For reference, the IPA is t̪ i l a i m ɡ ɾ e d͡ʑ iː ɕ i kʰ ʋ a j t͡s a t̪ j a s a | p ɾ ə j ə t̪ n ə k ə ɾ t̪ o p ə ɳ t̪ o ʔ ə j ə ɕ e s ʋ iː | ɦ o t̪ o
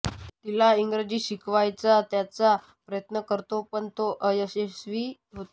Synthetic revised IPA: t̪ i l a i ŋ ɡ ɾ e d͡ʑ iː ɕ i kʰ ʋ a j t͡s a t̪ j a t͡s a | p ɾ ə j ə t̪ n ə k ə ɾ t̪ o p ə ɳ t̪ o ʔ ə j ə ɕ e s ʋ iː | ɦ o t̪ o